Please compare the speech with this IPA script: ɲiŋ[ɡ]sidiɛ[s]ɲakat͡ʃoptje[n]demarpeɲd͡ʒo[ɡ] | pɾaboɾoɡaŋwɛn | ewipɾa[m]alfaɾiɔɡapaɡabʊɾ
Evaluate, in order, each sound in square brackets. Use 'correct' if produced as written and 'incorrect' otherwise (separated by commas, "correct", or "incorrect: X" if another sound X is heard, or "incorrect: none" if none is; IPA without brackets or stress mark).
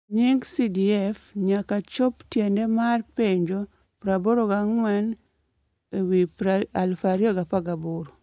correct, incorrect: f, correct, incorrect: none, incorrect: none